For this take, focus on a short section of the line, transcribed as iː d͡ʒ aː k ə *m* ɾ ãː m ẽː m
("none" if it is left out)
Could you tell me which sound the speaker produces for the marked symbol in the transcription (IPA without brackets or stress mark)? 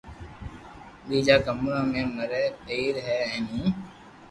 m